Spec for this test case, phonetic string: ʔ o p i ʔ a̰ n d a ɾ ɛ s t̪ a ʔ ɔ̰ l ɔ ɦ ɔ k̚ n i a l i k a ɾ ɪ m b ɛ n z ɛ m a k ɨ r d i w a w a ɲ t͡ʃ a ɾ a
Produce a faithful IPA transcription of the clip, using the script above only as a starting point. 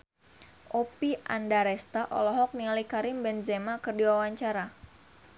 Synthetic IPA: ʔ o p i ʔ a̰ n d a ɾ ɛ s t̪ a ʔ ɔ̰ l ɔ ɦ ɔ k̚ n i a l i k a ɾ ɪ m b ɛ n z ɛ m a k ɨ r d i w a w a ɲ t͡ʃ a ɾ a